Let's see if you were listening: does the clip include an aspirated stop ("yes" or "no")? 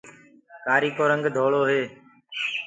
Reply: no